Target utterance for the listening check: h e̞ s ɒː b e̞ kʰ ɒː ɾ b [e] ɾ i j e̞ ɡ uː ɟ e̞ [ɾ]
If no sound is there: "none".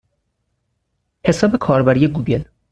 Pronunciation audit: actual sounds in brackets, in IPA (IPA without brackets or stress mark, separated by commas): æ, l